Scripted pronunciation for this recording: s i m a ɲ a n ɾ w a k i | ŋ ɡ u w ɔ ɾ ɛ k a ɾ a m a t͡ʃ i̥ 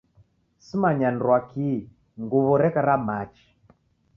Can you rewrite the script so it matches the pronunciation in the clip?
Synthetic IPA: s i m a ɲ a n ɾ w a k i | ŋ ɡ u β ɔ ɾ ɛ k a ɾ a m a t͡ʃ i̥